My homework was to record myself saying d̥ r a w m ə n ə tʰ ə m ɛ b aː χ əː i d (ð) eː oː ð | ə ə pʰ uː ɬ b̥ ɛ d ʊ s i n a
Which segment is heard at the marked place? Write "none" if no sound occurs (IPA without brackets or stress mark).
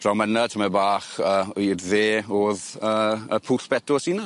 ð